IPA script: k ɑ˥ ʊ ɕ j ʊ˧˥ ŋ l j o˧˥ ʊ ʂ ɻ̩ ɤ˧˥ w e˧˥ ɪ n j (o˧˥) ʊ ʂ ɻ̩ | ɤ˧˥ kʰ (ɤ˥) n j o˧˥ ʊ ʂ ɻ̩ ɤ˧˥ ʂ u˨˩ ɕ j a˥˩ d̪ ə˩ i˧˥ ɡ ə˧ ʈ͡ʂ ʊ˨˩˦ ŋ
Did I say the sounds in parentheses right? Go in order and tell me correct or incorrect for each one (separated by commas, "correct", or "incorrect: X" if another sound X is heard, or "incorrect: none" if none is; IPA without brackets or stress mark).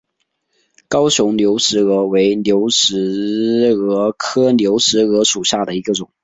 correct, correct